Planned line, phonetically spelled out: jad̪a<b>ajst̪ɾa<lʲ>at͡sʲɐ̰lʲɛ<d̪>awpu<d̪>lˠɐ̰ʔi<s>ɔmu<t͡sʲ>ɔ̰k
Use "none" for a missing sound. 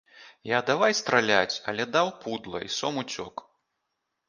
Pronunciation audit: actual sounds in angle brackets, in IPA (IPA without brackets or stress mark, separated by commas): v, lʲ, d̪, d̪, s, t͡sʲ